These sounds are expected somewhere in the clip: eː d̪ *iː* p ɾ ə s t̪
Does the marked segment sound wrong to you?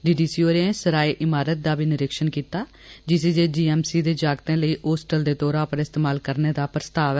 yes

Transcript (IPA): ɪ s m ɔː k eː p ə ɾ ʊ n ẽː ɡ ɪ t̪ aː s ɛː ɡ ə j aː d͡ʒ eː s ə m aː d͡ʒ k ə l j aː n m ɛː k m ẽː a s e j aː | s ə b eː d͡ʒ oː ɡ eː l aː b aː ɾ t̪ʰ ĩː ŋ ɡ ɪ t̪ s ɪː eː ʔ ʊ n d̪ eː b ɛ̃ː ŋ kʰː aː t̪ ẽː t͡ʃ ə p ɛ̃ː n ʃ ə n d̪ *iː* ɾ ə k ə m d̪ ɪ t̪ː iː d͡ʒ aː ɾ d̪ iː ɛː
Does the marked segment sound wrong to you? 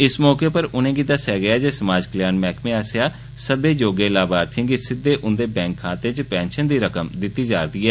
no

